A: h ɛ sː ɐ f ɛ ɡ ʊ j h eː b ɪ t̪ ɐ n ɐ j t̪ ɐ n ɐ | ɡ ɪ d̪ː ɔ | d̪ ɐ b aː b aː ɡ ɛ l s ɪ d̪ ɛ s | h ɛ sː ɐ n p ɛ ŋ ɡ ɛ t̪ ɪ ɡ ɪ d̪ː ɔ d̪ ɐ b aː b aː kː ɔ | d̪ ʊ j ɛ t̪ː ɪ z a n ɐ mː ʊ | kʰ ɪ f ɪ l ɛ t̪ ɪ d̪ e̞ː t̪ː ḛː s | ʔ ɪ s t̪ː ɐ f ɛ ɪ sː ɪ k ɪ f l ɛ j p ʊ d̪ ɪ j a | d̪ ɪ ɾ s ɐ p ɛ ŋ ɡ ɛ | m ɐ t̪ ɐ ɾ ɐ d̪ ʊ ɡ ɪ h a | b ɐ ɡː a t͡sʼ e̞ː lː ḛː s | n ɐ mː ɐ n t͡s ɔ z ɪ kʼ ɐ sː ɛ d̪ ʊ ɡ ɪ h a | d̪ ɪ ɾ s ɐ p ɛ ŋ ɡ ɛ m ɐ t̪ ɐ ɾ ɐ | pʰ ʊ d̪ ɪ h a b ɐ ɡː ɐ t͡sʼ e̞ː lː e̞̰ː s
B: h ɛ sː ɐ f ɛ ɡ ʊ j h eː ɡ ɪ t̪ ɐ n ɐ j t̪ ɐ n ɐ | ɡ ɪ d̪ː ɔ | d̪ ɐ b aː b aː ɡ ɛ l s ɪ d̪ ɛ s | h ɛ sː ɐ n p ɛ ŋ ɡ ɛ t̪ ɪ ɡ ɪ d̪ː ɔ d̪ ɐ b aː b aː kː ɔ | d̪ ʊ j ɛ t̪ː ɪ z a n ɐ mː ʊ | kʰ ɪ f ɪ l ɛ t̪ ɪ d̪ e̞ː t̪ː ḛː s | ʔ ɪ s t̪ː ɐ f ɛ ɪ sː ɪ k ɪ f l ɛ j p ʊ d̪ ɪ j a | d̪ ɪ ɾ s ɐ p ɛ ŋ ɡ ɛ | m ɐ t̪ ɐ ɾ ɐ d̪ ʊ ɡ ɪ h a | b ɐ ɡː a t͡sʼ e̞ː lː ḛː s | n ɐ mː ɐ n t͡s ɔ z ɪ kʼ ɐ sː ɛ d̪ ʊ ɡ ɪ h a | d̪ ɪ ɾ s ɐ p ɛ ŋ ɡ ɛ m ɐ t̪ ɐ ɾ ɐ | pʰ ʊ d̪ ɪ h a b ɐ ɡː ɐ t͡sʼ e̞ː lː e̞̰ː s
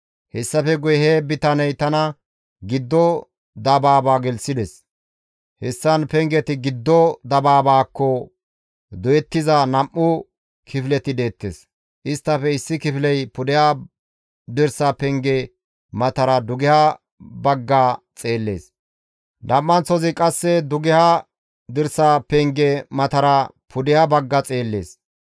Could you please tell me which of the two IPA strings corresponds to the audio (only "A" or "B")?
A